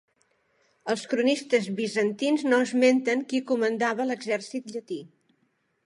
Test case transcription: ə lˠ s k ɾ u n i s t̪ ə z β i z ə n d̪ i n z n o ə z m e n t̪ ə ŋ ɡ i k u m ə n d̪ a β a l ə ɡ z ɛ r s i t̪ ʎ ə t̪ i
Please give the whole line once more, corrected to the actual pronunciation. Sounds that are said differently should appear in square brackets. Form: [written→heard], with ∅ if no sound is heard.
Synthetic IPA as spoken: ə lˠ s k ɾ u n i s t̪ ə z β i z ə n [d̪→t̪] i n z n o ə z m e n t̪ ə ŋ [ɡ→k] i k u m ə n d̪ a β [a→ə] l ə ɡ z ɛ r s i t̪ ʎ ə t̪ i

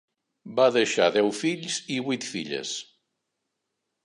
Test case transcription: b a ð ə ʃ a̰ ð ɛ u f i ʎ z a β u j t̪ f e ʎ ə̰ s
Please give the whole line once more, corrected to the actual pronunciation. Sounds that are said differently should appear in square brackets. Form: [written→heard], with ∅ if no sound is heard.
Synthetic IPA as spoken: b a ð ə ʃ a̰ ð ɛ [u→w] f i ʎ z [a→i] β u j t̪ f [e→i] ʎ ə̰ s

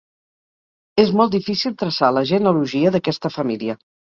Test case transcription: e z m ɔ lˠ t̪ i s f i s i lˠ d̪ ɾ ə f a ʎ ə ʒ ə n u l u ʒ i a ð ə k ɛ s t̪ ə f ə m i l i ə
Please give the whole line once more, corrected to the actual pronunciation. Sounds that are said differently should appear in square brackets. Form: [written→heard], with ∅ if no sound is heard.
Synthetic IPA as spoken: e z m ɔ lˠ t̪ i [s→∅] f i s i lˠ [d̪→t̪] ɾ ə [f→s] a [ʎ→l] ə ʒ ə n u l u ʒ i [a→ə] ð ə k ɛ s t̪ ə f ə m i l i ə

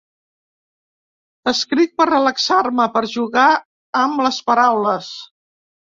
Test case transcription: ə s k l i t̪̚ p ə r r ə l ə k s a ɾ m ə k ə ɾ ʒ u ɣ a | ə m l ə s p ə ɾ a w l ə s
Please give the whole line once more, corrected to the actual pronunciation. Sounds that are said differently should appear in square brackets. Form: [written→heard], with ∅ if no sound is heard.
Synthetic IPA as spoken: ə s k [l→ɾ] i t̪̚ p ə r r ə l ə k s a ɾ m ə [k→p] ə ɾ ʒ u ɣ a | ə m l ə s p ə ɾ a w l ə s

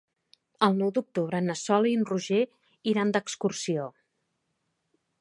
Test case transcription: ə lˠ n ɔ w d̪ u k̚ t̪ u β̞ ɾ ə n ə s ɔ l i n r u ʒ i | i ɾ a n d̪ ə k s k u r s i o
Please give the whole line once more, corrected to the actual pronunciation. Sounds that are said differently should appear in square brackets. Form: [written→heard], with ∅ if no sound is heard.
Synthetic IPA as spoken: ə lˠ n ɔ w d̪ u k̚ t̪ u β̞ ɾ ə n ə s ɔ l i n r u ʒ [i→e] | i ɾ a n d̪ ə k s k u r s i o

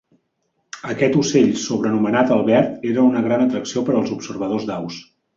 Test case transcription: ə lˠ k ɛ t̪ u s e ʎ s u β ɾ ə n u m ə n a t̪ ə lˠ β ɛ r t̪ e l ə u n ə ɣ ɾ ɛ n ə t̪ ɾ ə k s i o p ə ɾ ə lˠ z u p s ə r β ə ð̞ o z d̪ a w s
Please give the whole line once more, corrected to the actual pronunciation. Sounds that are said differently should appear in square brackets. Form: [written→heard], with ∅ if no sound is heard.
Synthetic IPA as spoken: ə [lˠ→∅] k ɛ t̪ u s e ʎ s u β ɾ ə n u m ə n a t̪ ə lˠ β ɛ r t̪ e [l→ɾ] ə u n ə ɣ ɾ [ɛ→a] n ə t̪ ɾ ə k s i o p ə ɾ ə lˠ z u p s ə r β ə ð̞ o z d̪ a w s

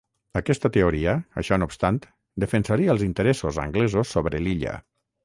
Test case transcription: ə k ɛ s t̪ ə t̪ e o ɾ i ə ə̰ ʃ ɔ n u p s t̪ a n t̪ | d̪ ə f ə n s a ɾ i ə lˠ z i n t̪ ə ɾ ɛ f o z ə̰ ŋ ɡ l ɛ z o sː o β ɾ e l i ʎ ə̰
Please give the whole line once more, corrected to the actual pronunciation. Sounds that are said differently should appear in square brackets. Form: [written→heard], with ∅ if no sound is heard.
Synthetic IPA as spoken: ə k ɛ s t̪ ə t̪ e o ɾ i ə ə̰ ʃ ɔ n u p s t̪ a n t̪ | d̪ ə f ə n s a ɾ i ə lˠ z i n t̪ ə ɾ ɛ [f→s] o z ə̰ ŋ ɡ l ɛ z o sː o β ɾ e l i ʎ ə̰

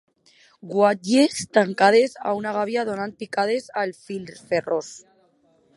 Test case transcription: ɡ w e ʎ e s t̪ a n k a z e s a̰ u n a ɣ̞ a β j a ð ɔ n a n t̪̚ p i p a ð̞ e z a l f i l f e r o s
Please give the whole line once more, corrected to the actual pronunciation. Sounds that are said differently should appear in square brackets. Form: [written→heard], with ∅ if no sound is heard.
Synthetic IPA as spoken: ɡ w [e→a] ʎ e s t̪ a [n→ŋ] k a [z→ð] e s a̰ u n a ɣ̞ a β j a ð [ɔ→o] n a n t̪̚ p i [p→k] a ð̞ e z a l f i l f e r o s

